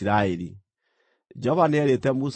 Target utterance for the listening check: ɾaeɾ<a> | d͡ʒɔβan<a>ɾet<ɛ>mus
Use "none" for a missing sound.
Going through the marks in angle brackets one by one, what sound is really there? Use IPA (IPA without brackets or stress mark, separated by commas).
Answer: i, ɛ, ɛ